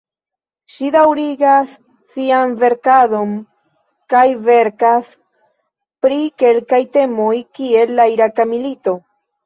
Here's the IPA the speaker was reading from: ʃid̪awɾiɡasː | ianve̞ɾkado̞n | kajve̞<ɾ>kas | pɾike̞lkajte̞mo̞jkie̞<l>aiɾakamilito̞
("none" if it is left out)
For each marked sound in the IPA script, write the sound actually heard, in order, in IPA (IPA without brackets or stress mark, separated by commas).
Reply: ɾ, lː